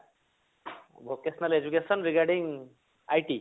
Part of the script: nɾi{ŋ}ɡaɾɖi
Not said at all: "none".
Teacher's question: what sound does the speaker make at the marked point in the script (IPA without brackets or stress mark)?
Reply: none